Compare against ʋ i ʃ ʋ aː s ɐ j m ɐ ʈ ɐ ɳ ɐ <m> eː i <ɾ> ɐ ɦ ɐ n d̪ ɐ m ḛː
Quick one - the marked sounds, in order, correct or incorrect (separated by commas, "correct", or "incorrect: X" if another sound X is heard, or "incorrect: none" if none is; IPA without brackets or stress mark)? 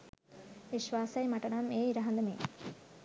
correct, correct